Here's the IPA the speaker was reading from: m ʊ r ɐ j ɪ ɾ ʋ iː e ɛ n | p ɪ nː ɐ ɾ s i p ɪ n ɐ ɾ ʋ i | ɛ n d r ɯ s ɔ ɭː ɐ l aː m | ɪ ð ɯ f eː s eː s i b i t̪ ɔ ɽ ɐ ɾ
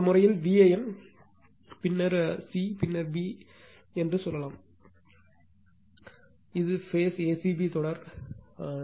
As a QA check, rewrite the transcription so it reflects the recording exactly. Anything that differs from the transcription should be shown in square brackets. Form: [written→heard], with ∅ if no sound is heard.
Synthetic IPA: m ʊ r ɐ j ɪ [ɾ→l] ʋ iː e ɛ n | p ɪ nː ɐ ɾ s i p ɪ [n→nː] ɐ ɾ ʋ i | ɛ n d r ɯ s ɔ [ɭː→lː] ɐ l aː m | ɪ ð ɯ f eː s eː s i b i t̪ ɔ ɽ ɐ ɾ